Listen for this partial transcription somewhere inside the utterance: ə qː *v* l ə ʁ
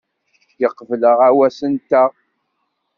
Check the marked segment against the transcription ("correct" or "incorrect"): correct